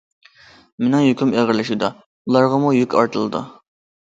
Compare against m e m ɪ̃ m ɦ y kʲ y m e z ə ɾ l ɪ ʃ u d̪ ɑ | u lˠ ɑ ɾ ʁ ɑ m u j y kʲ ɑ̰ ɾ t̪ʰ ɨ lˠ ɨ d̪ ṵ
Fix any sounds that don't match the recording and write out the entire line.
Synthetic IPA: m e n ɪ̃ ŋ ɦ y kʲ y m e ʁ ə ɾ l ɪ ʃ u d̪ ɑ | u lˠ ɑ ɾ ʁ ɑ m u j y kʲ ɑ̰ ɾ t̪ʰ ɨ lˠ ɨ d̪ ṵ